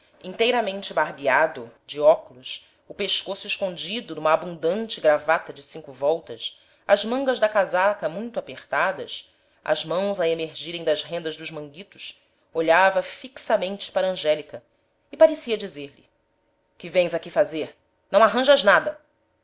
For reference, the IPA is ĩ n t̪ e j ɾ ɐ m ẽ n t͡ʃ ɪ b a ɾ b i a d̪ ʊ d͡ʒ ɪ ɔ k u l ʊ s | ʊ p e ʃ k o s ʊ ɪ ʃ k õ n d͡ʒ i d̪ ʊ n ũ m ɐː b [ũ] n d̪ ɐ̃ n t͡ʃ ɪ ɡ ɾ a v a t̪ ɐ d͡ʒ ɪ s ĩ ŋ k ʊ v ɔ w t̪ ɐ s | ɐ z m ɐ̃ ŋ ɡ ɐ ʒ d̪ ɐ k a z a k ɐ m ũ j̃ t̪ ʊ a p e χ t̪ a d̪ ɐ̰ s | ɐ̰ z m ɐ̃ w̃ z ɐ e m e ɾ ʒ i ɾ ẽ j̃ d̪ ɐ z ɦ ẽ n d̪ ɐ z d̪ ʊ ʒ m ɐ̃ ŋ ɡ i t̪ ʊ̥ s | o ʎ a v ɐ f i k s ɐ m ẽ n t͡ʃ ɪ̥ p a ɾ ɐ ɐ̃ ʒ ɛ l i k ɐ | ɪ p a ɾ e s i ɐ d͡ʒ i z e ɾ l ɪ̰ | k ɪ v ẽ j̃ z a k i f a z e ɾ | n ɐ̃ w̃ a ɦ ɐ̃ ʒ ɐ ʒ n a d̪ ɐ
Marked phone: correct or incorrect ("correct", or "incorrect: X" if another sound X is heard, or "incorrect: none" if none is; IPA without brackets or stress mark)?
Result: correct